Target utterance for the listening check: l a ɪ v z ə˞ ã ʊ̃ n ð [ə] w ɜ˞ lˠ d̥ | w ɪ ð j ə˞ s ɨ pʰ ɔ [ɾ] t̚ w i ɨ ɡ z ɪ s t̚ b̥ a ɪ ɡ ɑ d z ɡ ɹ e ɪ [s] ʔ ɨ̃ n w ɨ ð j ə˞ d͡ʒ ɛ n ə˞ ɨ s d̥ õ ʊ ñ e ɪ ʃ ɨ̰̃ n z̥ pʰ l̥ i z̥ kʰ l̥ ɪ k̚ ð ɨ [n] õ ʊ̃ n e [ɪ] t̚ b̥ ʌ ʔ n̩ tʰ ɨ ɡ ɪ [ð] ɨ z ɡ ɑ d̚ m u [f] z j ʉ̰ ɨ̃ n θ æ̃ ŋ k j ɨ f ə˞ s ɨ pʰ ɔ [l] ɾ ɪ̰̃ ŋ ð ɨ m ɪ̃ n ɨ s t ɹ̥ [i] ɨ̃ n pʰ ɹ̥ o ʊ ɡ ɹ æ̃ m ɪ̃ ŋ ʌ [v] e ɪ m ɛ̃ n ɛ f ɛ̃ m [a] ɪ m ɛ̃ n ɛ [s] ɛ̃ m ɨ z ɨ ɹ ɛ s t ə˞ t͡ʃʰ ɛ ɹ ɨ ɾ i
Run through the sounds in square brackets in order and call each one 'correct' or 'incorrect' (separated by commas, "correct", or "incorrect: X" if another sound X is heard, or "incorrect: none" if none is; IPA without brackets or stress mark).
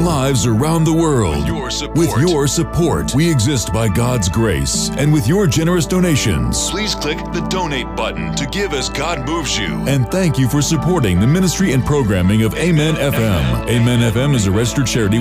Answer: correct, incorrect: ɹ, correct, incorrect: d, correct, incorrect: v, incorrect: v, incorrect: ɹ, correct, correct, incorrect: e, incorrect: f